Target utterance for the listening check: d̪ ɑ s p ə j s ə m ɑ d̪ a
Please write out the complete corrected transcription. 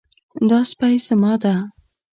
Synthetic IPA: d̪ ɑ s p a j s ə m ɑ d̪ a

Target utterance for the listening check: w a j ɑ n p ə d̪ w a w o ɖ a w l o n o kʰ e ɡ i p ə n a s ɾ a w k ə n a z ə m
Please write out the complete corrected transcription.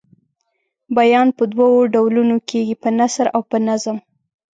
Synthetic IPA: b a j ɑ n p ə d̪ w a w o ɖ a w l u n o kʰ e ɡ i p ə n a s ɾ a w p ə n a z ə m

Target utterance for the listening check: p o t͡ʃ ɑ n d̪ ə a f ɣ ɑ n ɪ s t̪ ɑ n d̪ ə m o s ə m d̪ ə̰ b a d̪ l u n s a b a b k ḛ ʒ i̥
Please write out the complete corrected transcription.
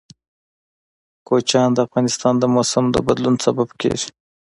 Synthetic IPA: k o t͡ʃ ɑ n d̪ ə a f ɣ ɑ n ɪ s t̪ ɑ n d̪ ə m o s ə m d̪ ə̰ b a d̪ l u n s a b a b k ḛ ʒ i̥

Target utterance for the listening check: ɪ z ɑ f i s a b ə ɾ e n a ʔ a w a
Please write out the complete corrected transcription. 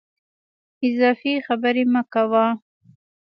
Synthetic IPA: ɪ z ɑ f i x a b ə ɾ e m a k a w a

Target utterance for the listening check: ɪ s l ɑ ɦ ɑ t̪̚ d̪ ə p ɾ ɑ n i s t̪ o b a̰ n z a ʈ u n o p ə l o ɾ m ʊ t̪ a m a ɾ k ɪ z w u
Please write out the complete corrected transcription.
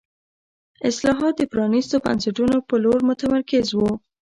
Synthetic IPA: ɪ s l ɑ ɦ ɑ t̪̚ d̪ ə p ɾ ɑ n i s t̪ o b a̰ n s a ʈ u n o p ə l o ɾ m ʊ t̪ a m a ɾ k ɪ z w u

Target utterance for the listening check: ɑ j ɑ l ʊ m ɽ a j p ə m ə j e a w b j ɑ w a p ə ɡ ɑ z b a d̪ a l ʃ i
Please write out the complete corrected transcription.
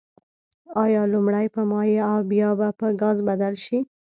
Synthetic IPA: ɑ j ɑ l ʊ m ɽ a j p ə m ɑ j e a w b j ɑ b a p ə ɡ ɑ z b a d̪ a l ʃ i

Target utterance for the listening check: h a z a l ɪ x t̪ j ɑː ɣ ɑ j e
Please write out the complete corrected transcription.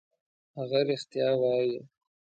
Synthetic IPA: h a ɣ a ɾ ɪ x t̪ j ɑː w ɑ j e

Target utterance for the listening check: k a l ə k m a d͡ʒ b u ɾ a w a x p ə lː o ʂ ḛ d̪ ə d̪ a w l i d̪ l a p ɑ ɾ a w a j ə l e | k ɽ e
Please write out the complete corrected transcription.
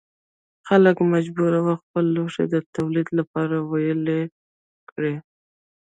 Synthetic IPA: x a l ə k m a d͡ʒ b u ɾ a w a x p ə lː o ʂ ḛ d̪ ə t̪ a w l i d̪ l a p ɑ ɾ a w a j ə l e | k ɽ e

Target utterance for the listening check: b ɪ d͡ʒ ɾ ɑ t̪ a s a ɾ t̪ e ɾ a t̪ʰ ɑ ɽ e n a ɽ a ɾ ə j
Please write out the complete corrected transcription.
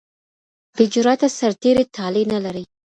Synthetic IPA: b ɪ d͡ʒ ɾ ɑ t̪ a s a ɾ t̪ e ɾ e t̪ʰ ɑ l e n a l a ɾ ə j

